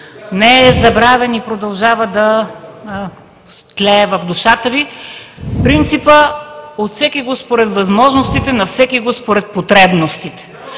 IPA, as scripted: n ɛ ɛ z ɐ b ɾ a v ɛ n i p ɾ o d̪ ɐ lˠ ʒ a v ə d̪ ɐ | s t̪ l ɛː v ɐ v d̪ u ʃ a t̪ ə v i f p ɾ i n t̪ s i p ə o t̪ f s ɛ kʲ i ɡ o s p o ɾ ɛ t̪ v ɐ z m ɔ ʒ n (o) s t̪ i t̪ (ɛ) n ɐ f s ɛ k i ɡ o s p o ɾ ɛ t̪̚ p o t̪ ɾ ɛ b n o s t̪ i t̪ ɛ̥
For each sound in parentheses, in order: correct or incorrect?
correct, correct

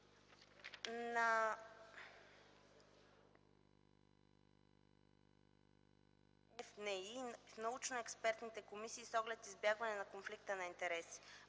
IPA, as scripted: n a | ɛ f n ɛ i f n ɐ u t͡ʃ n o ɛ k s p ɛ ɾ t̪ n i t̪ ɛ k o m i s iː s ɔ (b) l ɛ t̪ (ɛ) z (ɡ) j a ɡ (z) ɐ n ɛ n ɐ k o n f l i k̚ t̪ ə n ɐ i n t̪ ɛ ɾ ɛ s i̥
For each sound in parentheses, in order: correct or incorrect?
incorrect: ɡ, incorrect: i, incorrect: b, incorrect: v

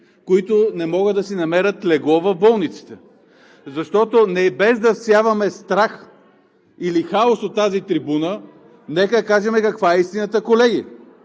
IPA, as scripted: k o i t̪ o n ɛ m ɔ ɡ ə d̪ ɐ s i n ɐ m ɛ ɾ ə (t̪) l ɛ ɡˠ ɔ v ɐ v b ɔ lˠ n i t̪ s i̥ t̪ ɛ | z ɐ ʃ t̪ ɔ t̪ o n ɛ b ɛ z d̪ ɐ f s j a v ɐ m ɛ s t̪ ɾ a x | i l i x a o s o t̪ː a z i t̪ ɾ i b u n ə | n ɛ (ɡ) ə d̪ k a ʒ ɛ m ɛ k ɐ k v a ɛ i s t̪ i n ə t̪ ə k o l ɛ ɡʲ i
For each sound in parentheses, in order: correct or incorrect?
correct, incorrect: k

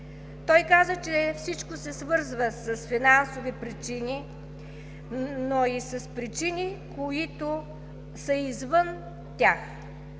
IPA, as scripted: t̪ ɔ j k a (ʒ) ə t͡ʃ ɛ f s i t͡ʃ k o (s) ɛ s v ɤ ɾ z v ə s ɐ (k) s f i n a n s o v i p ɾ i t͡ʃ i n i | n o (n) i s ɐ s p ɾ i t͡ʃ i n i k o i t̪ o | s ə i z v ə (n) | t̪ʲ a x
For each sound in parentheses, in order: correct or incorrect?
incorrect: z, correct, incorrect: none, incorrect: none, correct

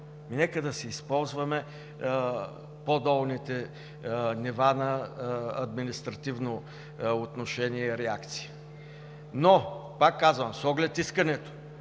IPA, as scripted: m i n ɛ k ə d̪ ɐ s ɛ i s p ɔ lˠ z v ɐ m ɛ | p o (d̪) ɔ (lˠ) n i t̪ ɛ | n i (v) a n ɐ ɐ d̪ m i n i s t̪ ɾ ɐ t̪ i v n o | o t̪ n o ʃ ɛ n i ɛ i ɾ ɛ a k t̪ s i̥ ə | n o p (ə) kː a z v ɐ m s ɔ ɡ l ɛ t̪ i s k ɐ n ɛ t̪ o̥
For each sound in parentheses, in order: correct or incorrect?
correct, correct, correct, incorrect: a

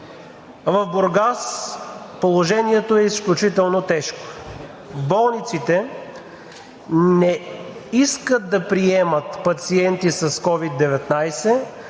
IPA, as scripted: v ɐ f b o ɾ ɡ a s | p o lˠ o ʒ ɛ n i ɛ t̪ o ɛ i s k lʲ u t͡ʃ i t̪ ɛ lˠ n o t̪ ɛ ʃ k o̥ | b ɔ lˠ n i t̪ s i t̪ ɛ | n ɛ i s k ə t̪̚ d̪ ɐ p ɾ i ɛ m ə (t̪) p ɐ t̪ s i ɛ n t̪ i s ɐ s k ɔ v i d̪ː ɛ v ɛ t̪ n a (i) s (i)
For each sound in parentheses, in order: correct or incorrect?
correct, incorrect: j, incorrect: ɛ

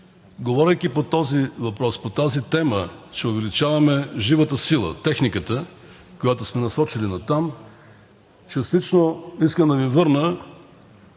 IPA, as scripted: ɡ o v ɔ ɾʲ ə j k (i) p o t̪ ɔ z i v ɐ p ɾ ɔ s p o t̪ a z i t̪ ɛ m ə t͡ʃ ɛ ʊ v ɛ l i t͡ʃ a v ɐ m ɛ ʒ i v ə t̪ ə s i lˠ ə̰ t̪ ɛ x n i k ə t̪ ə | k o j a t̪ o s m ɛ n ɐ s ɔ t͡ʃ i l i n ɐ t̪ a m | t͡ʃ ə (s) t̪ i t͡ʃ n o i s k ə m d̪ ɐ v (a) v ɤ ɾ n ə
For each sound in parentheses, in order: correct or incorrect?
correct, correct, incorrect: i

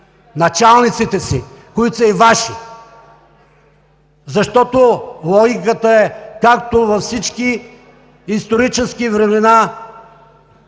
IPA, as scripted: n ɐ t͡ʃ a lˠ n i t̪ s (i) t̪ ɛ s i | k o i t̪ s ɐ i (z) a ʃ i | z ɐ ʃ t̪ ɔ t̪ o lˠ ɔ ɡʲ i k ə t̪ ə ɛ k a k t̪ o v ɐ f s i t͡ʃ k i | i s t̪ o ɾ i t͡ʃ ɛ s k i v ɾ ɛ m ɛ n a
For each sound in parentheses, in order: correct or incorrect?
correct, incorrect: v

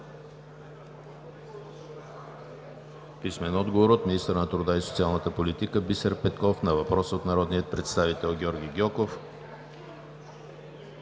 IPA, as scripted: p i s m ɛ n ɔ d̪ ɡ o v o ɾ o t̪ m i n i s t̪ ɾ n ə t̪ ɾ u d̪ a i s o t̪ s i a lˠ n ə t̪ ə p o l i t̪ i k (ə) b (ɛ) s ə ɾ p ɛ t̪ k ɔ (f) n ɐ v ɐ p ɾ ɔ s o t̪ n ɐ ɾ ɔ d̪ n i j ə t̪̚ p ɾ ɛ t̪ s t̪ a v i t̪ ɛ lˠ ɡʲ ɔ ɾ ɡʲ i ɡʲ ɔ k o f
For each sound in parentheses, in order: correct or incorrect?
correct, incorrect: i, correct

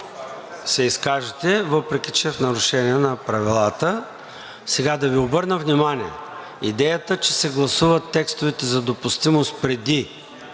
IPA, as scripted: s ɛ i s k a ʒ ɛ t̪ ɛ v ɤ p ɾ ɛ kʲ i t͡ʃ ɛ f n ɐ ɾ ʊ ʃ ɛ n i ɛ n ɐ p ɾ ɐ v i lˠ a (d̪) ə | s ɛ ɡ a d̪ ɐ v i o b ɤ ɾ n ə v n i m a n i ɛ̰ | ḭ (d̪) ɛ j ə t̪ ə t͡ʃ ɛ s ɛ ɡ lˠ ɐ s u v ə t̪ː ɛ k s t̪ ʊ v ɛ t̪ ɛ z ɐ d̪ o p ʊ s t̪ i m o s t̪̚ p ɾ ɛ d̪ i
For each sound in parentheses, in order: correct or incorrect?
incorrect: t̪, correct

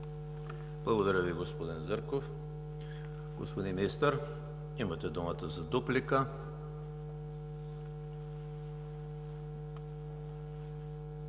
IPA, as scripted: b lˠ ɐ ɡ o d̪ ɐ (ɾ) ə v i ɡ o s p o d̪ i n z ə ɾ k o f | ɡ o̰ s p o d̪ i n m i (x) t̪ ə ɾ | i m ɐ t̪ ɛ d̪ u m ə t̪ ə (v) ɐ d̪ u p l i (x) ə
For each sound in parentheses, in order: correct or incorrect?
correct, incorrect: s, incorrect: z, incorrect: k

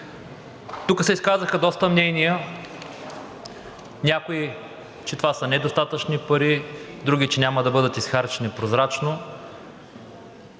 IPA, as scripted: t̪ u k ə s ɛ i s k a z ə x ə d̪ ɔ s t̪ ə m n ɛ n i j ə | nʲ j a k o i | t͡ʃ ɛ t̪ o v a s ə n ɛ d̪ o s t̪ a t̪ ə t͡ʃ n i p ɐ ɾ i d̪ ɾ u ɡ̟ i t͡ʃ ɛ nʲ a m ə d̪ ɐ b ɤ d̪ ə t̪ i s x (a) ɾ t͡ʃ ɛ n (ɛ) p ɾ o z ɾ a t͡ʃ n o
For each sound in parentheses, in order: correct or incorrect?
correct, incorrect: i

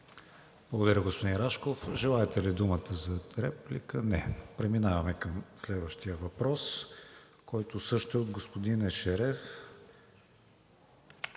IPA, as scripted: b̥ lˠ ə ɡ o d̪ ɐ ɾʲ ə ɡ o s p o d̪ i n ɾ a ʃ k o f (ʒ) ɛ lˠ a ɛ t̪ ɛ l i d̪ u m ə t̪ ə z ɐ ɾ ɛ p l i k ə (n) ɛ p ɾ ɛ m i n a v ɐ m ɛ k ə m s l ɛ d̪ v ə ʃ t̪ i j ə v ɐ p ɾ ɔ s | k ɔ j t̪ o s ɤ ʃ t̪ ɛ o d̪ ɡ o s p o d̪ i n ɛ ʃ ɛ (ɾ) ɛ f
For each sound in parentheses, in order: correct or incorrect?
correct, correct, correct

